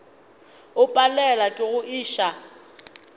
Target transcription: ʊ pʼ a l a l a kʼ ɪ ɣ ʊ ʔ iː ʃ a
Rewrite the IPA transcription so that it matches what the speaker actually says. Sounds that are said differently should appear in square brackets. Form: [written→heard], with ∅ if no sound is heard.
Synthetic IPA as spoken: ʊ pʼ a l [a→ɛ] l a kʼ ɪ ɣ ʊ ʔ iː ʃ a